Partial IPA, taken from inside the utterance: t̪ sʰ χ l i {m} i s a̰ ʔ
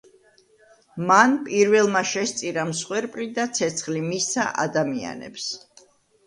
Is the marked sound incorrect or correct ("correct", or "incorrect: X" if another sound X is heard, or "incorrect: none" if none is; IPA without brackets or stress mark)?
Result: correct